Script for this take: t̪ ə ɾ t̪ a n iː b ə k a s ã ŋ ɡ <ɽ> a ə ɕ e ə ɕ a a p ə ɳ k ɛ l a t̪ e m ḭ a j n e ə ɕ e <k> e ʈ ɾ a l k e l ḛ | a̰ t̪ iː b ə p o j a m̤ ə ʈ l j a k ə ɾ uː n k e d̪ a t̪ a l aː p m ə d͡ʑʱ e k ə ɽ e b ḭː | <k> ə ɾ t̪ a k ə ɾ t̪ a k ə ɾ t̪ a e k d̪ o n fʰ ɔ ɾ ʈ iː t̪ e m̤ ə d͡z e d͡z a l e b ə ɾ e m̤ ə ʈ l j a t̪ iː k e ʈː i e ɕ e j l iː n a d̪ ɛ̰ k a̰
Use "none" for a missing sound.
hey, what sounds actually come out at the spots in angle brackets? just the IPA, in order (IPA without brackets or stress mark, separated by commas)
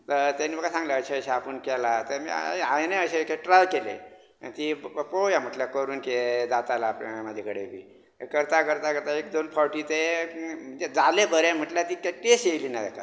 l, k, k